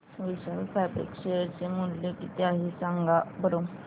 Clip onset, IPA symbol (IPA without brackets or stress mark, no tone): ʋ